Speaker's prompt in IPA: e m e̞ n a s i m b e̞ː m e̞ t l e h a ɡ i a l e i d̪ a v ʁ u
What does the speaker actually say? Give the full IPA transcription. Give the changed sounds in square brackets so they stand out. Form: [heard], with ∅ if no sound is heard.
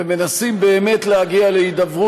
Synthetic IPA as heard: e m e̞ n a s i m b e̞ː m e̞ t l e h a ɡ i a l e i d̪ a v ʁ u